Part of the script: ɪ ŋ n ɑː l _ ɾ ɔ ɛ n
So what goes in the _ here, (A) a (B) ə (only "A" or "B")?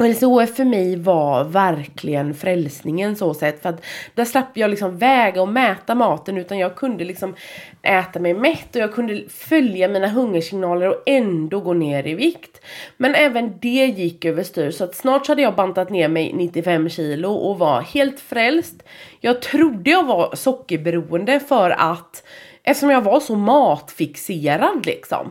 B